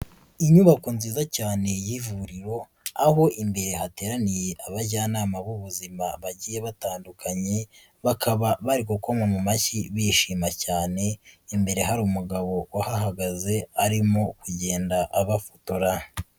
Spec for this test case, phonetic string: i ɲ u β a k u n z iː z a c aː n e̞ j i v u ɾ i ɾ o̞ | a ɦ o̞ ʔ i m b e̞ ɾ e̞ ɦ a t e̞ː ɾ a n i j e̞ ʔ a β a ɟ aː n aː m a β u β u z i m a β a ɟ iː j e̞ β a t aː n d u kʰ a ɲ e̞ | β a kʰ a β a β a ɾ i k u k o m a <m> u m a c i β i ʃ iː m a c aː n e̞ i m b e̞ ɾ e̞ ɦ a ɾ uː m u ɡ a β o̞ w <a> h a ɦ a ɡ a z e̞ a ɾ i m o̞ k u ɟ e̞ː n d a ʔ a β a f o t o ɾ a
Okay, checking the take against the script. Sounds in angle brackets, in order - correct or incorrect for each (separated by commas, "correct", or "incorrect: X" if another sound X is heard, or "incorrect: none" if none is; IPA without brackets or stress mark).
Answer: correct, correct